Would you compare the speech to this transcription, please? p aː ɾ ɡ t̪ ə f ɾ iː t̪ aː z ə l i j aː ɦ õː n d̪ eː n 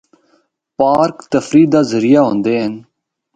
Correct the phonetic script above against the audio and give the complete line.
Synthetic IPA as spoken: p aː ɾ k t̪ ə f ɾ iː d̪ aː z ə ɾ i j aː ɦ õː n d̪ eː n